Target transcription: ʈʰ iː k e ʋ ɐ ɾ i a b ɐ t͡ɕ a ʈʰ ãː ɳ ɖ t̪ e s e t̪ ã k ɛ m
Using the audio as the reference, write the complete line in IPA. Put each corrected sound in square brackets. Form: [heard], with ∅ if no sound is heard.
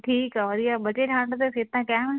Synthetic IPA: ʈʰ iː k [a] ʋ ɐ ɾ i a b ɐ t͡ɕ [e] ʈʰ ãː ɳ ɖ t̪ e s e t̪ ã k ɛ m